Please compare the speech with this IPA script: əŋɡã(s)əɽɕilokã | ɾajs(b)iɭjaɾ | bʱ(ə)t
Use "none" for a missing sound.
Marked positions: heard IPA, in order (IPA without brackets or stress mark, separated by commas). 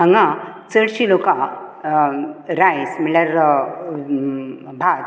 t͡s, m, a